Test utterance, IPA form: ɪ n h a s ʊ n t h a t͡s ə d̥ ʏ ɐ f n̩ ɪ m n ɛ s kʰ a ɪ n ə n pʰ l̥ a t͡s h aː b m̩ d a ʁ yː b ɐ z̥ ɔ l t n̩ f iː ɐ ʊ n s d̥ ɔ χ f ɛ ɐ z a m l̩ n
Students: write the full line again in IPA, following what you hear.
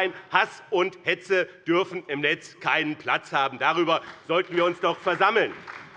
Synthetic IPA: ɪ n h a s ʊ n t h ɛ t͡s ə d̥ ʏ ɐ f n̩ ɪ m n ɛ t͡s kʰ a ɪ n ə n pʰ l̥ a t͡s h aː b m̩ d a ʁ yː b ɐ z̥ ɔ l t n̩ v iː ɐ ʊ n s d̥ ɔ χ f ɛ ɐ z a m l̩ n

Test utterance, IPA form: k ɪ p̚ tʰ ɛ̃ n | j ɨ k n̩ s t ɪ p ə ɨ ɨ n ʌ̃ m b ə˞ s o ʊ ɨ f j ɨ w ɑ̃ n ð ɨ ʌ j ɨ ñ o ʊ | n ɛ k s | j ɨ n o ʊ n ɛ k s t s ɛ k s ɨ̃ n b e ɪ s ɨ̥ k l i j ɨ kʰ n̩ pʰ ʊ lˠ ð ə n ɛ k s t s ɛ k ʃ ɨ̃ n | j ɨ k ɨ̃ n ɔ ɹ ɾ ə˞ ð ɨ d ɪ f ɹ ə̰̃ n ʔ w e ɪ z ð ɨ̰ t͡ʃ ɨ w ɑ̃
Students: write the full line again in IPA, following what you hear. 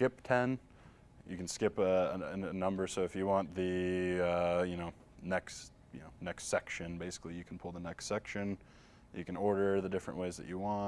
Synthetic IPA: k ɪ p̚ tʰ ɛ̃ n | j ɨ k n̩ s k ɪ p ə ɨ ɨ n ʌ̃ m b ə˞ s o ʊ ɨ f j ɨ w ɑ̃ n ð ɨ ʌ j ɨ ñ o ʊ | n ɛ k s | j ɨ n o ʊ n ɛ k s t s ɛ k ʃ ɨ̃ n b e ɪ s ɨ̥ k l i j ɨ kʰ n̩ pʰ ʊ lˠ ð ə n ɛ k s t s ɛ k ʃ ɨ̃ n | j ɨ k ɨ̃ n ɔ ɹ ɾ ə˞ ð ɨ d ɪ f ɹ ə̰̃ n ʔ w e ɪ z ð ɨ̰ t͡ʃ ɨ w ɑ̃

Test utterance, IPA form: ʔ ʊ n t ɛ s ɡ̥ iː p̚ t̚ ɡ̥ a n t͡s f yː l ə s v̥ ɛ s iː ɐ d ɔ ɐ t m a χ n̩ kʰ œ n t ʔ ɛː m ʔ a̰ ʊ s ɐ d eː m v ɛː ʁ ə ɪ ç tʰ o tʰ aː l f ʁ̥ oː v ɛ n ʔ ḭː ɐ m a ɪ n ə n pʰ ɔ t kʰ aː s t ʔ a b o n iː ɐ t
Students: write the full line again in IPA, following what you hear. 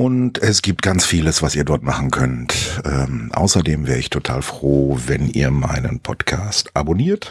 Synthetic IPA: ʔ ʊ n t ɛ s ɡ̥ iː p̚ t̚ ɡ̥ a n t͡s f iː l ə s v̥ a s iː ɐ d ɔ ɐ t m a χ n̩ kʰ œ n t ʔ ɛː m ʔ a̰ ʊ s ɐ d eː m v ɛː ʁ ə ɪ ç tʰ o tʰ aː l f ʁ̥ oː v ɛ n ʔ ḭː ɐ m a ɪ n ə n pʰ ɔ t kʰ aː s t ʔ a b o n iː ɐ t

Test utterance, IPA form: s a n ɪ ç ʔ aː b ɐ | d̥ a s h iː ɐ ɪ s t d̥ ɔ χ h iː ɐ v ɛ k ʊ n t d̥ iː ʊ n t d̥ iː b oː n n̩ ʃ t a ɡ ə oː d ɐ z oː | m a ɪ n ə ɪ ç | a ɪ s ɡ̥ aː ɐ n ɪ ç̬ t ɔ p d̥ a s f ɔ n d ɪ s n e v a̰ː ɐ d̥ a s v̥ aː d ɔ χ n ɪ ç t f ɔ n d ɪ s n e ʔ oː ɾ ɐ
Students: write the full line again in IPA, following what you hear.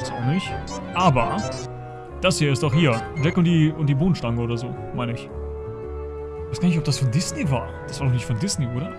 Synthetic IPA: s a n ɪ ç ʔ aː b ɐ | d̥ a s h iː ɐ ɪ s t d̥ ɔ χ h iː ɐ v ɛ k ʊ n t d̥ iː ʊ n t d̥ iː b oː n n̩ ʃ t a ŋ ə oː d ɐ z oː | m a ɪ n ə ɪ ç | a ɪ s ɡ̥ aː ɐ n ɪ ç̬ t ɔ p d̥ a s f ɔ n d ɪ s n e v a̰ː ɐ d̥ a s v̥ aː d ɔ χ n ɪ ç t f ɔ n d ɪ s n e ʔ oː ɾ ɐ

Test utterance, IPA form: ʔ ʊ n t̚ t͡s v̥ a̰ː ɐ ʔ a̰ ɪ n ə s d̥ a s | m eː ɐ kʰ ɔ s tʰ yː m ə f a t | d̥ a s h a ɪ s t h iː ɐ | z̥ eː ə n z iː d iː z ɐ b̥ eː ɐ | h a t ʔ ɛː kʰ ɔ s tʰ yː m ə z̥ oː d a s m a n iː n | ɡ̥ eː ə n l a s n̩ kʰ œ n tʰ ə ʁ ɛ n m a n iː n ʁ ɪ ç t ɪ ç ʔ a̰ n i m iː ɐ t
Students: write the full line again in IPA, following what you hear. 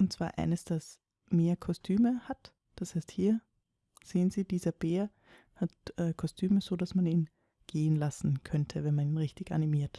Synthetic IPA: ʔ ʊ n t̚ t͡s v̥ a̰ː ɐ ʔ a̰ ɪ n ə s d̥ a s | m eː ɐ kʰ ɔ s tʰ yː m ə h a t | d̥ a s h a ɪ s t h iː ɐ | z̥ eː ə n z iː d iː z ɐ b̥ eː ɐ | h a t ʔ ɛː kʰ ɔ s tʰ yː m ə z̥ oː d a s m a n iː n | ɡ̥ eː ə n l a s n̩ kʰ œ n tʰ ə v ɛ n m a n iː n ʁ ɪ ç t ɪ ç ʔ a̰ n i m iː ɐ t

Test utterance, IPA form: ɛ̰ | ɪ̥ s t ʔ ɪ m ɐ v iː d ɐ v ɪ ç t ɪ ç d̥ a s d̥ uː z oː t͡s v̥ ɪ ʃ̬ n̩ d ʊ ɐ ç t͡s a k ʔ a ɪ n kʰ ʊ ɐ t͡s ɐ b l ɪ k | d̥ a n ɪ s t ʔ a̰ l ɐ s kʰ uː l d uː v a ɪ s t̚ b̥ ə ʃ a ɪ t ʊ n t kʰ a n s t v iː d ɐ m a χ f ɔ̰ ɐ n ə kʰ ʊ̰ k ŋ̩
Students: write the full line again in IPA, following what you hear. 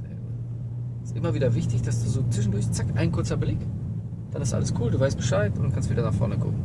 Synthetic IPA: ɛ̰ | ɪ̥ s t ʔ ɪ m ɐ v iː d ɐ v ɪ ç t ɪ ç d̥ a s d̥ uː z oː t͡s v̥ ɪ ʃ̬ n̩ d ʊ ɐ ç t͡s a k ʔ a ɪ n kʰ ʊ ɐ t͡s ɐ b l ɪ k | d̥ a n ɪ s t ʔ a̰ l ə s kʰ uː l d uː v a ɪ s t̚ b̥ ə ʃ a ɪ t ʊ n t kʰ a n s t v iː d ɐ n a χ f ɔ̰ ɐ n ə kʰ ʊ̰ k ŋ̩

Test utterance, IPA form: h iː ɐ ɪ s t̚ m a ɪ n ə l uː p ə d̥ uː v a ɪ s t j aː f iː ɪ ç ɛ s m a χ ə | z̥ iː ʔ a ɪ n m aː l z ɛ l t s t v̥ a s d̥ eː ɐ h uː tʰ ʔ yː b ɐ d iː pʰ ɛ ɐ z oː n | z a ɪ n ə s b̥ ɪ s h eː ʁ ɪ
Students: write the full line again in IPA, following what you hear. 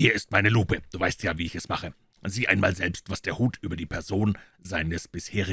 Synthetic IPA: h iː ɐ ɪ s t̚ m a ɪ n ə l uː p ə d̥ uː v a ɪ s t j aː v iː ɪ ç ɛ s m a χ ə | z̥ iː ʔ a ɪ n m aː l z ɛ l p s t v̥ a s d̥ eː ɐ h uː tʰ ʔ yː b ɐ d iː pʰ ɛ ɐ z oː n | z a ɪ n ə s b̥ ɪ s h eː ʁ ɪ

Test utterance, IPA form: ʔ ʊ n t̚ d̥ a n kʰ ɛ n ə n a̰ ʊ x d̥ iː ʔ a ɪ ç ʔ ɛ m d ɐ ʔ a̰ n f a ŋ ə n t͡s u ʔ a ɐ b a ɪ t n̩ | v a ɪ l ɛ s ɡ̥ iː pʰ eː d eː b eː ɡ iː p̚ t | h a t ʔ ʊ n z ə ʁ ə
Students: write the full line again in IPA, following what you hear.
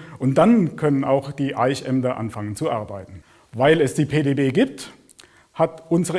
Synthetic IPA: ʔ ʊ n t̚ d̥ a n kʰ œ n ə n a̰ ʊ x d̥ iː ʔ a ɪ ç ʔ ɛ m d ɐ ʔ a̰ n f a ŋ ə n t͡s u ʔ a ɐ b a ɪ t n̩ | v a ɪ l ɛ s d̥ iː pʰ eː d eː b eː ɡ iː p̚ t | h a t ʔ ʊ n z ə ʁ ə

